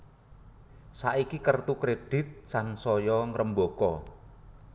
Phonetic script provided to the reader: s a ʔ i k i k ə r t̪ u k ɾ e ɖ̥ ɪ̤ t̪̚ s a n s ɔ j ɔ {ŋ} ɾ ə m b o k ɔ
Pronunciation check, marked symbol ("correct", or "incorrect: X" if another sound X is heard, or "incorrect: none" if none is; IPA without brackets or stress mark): correct